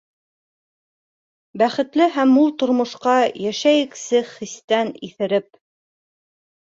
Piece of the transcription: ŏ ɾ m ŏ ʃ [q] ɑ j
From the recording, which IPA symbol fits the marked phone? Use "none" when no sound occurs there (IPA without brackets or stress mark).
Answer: q